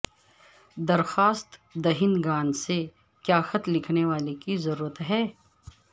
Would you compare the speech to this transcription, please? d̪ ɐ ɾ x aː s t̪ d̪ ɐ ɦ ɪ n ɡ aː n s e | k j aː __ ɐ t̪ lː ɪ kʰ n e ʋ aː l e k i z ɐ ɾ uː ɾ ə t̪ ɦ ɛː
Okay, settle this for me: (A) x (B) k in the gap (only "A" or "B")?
A